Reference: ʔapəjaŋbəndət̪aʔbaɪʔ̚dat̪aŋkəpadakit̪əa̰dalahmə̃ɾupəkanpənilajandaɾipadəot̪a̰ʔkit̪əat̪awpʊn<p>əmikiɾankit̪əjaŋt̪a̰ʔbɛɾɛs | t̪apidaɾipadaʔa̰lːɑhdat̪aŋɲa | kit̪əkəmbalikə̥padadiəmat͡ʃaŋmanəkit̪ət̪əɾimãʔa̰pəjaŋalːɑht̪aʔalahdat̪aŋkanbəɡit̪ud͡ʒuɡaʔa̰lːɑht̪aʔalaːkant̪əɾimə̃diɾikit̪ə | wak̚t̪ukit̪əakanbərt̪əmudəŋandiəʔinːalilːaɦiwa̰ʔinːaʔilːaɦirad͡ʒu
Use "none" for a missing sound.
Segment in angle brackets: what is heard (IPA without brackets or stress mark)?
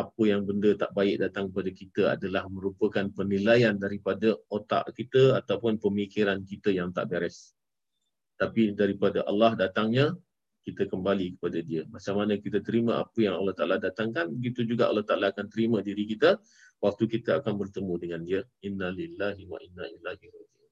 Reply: p